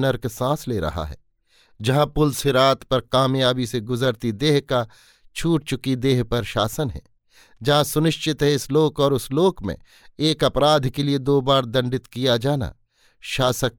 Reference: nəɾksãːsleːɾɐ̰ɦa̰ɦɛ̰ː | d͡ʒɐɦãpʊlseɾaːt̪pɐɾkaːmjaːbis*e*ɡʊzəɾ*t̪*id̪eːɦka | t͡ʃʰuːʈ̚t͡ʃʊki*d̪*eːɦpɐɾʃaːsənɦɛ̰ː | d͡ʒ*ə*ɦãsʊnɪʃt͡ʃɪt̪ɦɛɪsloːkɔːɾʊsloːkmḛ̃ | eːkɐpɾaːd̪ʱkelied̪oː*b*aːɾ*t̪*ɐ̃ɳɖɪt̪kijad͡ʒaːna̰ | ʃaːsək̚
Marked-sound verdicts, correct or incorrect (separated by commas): correct, correct, correct, incorrect, correct, incorrect